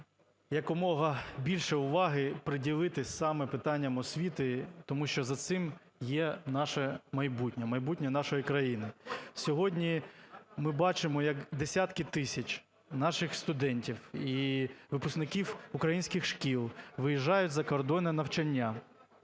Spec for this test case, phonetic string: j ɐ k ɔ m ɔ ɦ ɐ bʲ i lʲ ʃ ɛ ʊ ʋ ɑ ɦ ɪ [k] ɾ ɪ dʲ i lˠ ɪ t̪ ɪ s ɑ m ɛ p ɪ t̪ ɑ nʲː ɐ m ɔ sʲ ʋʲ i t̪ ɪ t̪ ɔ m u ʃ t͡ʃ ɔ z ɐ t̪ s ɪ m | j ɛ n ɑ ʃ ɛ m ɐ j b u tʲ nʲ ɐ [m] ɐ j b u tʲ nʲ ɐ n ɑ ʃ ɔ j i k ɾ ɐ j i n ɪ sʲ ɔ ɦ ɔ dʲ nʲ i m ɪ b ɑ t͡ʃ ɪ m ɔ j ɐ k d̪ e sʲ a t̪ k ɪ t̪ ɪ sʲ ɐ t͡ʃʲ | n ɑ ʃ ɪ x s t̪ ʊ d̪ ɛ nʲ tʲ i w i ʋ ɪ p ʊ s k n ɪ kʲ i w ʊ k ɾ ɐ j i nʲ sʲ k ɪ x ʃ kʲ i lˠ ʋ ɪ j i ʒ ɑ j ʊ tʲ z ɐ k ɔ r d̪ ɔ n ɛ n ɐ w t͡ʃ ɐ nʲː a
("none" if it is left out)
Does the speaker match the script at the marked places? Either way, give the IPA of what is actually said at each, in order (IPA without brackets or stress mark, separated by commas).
p, m